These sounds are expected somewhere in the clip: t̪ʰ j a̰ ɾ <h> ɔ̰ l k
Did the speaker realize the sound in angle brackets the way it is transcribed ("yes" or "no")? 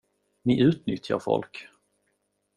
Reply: no